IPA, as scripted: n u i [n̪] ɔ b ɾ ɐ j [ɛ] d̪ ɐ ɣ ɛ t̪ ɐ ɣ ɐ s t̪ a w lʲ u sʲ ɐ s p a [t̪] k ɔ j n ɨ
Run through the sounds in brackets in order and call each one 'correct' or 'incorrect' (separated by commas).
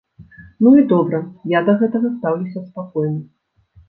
incorrect, incorrect, incorrect